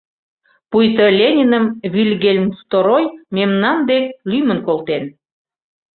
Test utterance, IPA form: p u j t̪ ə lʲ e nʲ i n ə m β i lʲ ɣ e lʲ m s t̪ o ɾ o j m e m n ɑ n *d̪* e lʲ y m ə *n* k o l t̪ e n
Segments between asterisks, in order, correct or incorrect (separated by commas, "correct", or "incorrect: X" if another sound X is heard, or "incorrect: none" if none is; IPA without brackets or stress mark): correct, correct